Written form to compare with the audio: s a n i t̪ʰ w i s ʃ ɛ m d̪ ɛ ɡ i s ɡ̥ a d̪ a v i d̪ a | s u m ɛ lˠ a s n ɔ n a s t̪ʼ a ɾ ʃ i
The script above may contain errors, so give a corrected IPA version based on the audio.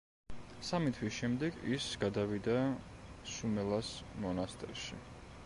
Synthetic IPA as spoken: s a m i t̪ʰ w i s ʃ ɛ m d̪ ɛ ɡ i s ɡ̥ a d̪ a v i d̪ a | s u m ɛ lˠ a s m ɔ n a s t̪ʼ ɛ ɾ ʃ i